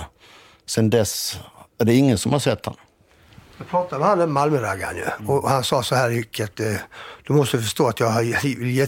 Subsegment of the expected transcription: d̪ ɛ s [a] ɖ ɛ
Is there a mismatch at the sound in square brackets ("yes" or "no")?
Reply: yes